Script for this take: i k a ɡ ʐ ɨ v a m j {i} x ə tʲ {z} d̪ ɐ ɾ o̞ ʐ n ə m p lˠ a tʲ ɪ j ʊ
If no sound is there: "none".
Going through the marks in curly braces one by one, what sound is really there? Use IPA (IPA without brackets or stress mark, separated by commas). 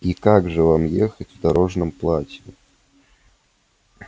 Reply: e, v